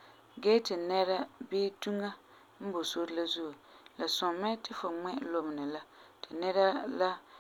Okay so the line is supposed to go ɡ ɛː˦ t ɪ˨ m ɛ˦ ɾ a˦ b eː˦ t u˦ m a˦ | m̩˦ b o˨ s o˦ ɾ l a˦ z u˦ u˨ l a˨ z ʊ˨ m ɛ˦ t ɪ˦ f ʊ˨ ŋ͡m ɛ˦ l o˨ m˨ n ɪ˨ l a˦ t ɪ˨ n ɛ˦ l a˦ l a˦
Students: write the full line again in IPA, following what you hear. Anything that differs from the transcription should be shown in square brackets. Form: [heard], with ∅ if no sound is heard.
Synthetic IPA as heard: ɡ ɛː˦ t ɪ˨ [n] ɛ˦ ɾ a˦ b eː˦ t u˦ [ŋ] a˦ | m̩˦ b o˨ s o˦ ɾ l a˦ z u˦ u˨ l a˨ [s] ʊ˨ m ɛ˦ t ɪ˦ f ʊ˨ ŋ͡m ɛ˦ l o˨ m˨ n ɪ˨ l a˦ t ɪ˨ n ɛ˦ [ɾ] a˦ l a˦